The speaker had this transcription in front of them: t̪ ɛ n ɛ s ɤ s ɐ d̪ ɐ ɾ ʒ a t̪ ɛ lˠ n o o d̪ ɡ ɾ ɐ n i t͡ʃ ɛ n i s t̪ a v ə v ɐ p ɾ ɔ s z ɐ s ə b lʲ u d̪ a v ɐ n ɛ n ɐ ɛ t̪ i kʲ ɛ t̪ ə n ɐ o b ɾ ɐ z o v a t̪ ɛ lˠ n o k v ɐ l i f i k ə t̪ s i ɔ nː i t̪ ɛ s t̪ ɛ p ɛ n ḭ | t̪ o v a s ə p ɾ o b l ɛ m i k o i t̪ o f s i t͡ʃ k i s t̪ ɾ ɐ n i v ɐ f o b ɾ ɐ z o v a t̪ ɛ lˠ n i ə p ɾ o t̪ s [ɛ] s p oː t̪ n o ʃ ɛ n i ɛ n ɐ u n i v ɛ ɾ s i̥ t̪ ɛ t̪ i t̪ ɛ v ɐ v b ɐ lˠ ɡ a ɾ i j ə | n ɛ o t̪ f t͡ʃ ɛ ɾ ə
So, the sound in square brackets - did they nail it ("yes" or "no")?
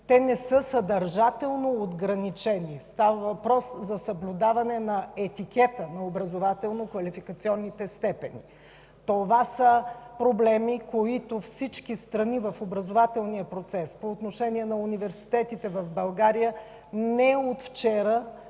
yes